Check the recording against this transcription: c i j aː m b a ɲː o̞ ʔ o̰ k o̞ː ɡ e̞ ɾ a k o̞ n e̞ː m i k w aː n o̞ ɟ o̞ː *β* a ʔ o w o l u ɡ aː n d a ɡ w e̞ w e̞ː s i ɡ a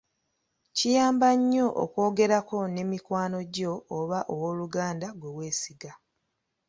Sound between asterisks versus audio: correct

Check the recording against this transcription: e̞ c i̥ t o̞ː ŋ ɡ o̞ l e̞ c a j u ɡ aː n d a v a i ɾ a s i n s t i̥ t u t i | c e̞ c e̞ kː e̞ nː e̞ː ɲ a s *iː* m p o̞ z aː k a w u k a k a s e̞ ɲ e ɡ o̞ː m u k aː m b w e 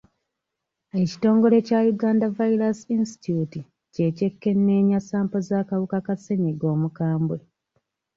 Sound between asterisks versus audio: incorrect: aː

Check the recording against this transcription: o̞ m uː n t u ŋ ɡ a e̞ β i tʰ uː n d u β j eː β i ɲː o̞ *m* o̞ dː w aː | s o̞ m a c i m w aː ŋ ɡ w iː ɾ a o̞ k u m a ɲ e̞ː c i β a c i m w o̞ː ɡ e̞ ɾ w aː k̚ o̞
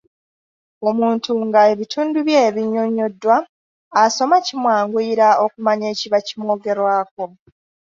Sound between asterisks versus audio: incorrect: ɲ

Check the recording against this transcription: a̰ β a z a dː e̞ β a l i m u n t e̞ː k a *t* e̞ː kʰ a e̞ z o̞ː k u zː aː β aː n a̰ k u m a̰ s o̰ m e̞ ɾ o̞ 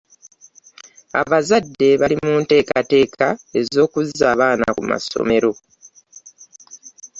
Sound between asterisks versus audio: correct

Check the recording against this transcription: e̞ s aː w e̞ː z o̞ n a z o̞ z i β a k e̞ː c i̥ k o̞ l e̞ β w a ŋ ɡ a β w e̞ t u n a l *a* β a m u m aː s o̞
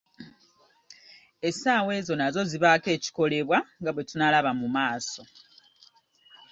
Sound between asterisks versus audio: correct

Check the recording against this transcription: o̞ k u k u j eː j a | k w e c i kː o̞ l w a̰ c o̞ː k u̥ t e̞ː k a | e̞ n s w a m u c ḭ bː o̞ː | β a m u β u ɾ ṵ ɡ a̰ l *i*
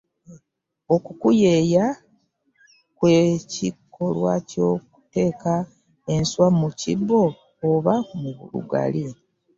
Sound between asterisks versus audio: correct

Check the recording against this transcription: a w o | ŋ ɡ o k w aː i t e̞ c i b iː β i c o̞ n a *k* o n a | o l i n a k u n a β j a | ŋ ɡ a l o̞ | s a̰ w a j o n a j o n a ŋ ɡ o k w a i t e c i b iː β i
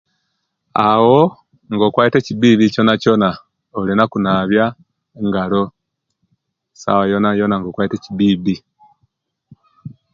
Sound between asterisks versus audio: incorrect: c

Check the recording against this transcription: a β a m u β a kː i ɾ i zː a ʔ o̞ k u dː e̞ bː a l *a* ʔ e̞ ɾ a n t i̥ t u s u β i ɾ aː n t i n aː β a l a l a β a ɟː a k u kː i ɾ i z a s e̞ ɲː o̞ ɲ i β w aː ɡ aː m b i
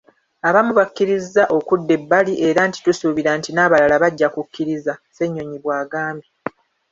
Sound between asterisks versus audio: incorrect: i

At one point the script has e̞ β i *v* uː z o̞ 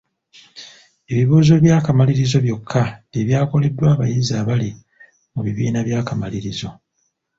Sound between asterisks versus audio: incorrect: β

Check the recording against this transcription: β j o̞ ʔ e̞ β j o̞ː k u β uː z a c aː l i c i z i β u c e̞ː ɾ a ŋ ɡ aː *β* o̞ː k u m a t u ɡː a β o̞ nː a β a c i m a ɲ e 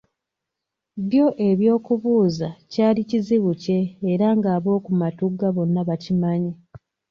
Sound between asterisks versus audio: correct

